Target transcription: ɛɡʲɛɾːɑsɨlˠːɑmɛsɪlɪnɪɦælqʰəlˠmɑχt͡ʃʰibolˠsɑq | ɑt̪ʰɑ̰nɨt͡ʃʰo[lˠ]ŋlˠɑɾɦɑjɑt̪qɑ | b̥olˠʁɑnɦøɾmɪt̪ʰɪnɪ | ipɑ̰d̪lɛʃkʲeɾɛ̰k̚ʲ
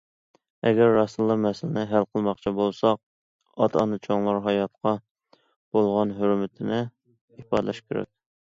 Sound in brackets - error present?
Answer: yes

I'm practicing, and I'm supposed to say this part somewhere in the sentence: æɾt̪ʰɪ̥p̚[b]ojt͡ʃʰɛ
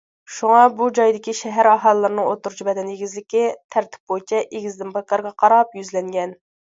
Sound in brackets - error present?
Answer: no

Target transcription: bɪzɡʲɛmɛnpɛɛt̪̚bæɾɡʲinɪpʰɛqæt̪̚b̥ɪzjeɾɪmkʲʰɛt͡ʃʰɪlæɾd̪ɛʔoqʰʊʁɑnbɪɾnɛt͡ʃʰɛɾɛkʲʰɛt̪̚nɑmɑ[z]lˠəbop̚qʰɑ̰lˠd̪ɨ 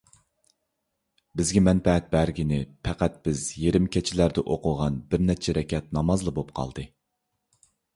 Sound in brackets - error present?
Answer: no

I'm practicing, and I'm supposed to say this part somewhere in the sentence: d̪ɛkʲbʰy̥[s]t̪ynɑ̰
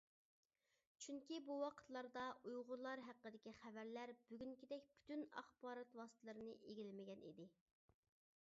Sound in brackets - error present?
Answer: yes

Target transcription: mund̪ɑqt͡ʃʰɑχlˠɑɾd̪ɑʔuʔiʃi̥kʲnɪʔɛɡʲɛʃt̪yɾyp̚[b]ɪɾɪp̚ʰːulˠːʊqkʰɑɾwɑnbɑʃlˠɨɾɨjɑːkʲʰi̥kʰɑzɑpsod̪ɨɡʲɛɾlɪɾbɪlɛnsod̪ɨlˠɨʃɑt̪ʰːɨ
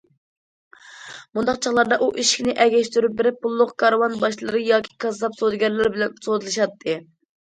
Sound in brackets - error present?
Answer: no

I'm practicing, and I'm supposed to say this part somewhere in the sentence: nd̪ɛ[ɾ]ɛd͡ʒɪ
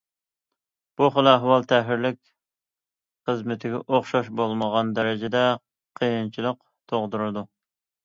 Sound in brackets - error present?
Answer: no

